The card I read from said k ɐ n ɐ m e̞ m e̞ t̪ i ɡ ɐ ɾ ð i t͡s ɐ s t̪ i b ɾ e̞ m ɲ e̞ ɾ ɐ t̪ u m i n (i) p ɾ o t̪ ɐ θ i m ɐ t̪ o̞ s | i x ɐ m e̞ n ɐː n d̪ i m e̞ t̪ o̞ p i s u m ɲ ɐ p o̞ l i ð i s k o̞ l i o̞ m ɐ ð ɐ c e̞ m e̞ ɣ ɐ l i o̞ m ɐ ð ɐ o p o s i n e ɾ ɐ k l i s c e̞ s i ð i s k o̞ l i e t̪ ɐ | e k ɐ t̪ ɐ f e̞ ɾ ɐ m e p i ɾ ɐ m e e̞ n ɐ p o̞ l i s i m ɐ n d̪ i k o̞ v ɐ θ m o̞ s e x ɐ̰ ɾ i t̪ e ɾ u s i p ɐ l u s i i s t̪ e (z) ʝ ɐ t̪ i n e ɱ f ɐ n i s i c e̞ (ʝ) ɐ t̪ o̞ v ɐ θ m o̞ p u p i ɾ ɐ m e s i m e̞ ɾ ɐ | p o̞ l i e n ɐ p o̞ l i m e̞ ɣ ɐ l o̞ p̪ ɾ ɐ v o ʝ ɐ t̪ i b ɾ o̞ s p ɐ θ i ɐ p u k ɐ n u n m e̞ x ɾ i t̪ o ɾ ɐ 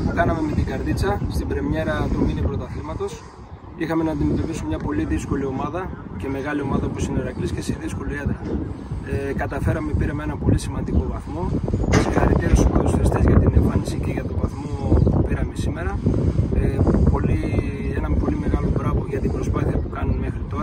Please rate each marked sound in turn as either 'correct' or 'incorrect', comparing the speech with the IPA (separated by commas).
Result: correct, correct, correct